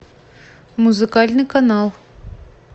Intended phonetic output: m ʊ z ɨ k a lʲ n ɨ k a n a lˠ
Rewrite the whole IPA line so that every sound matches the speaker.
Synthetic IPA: m u z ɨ k a lʲ n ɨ k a n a lˠ

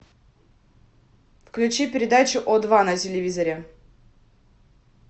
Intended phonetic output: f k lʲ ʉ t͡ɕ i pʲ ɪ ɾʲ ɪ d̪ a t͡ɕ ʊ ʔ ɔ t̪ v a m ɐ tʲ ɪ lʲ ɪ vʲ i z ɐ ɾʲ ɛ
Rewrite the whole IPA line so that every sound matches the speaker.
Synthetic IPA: f k lʲ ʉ t͡ɕ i pʲ ɪ ɾʲ ɪ d̪ a t͡ɕ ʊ ʔ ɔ d̪ v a n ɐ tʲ ɪ lʲ ɪ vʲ i z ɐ ɾʲ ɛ

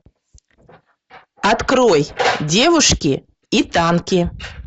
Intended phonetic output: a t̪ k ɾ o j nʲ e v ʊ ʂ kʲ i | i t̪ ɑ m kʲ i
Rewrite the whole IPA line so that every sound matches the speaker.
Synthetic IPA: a t̪ k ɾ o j dʲ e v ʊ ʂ kʲ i | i t̪ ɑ n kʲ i

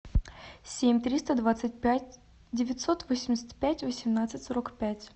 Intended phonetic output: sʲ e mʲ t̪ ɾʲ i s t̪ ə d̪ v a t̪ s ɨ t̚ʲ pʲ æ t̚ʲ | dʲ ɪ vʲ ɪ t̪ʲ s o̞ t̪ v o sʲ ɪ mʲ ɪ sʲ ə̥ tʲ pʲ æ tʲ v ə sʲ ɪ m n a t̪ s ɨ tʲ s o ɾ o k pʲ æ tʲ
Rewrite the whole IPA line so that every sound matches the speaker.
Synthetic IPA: sʲ e mʲ t̪ ɾʲ i s t̪ ə d̪ v a t̪ s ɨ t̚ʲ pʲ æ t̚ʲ | dʲ ɪ vʲ ɪ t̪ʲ s o̞ t̪ v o sʲ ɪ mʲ ɪ sʲ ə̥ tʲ pʲ æ tʲ v ə sʲ ɪ m n a t̪ s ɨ tʲ s o ɾ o k pʲ æ tʲ

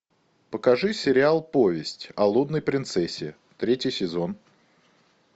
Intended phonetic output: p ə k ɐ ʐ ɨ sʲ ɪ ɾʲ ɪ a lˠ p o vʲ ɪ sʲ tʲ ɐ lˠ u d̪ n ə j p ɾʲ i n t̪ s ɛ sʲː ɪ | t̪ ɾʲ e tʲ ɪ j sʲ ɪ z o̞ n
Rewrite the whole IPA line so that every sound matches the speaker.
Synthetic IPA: p ə k ɐ ʐ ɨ sʲ ɪ ɾʲ ɪ a lˠ p o vʲ ɪ sʲ tʲ ɐ lˠ u d̪ n ə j p ɾʲ ɪ n t̪ s ɛ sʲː ɪ | t̪ ɾʲ e tʲ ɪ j sʲ ɪ z o̞ n

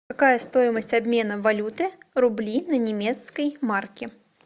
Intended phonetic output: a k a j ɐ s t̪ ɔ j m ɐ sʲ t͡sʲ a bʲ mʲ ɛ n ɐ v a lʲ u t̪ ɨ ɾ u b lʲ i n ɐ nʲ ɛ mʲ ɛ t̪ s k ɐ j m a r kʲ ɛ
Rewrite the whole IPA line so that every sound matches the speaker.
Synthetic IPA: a k a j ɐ s t̪ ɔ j m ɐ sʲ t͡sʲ a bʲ mʲ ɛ n ɐ v a lʲ u t̪ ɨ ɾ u b lʲ i n ɐ nʲ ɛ mʲ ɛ t̪ s k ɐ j m a r kʲ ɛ

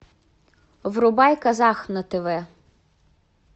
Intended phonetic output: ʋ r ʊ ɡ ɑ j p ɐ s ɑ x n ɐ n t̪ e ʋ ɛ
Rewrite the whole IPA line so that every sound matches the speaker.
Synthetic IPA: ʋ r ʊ b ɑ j k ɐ z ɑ x n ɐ t̪ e ʋ ɛ

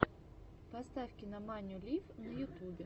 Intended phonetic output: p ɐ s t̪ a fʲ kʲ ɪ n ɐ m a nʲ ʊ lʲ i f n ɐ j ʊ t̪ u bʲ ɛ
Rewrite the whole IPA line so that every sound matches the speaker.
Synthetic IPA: p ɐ s t̪ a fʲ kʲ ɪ n ɐ m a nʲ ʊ lʲ i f n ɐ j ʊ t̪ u bʲ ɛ

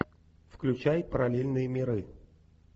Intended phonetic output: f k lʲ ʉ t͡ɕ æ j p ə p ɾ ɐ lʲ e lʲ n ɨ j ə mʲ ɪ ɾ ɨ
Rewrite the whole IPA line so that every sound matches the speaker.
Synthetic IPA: f k lʲ ʉ t͡ɕ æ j p ə ɾ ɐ lʲ e lʲ n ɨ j ə mʲ ɪ ɾ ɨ

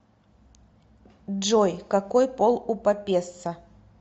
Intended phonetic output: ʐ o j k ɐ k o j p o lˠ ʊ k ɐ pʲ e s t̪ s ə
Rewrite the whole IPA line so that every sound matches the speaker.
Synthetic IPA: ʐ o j k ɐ k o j p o lˠ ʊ p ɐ pʲ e s t̪ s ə

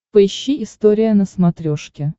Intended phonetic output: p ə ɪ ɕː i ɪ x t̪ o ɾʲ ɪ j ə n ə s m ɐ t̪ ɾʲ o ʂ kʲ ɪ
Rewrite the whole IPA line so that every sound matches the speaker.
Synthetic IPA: p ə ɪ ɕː i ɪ s t̪ o ɾʲ ɪ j ə n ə s m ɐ t̪ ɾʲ o ʂ kʲ ɪ

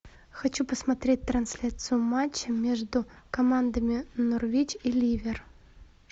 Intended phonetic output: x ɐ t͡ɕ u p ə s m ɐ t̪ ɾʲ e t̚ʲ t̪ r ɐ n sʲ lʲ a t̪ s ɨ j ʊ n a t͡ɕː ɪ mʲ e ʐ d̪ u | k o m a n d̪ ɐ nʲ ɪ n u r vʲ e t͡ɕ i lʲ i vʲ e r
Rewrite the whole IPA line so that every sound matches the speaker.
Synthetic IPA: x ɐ t͡ɕ u p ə s m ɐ t̪ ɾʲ e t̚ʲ t̪ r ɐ n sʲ lʲ a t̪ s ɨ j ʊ m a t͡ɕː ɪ mʲ e ʐ d̪ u | k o m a n d̪ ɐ mʲ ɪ n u r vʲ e t͡ɕ i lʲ i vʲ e r

